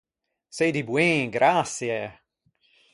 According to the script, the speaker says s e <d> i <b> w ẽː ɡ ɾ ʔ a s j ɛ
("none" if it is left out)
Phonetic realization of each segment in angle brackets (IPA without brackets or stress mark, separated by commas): d, b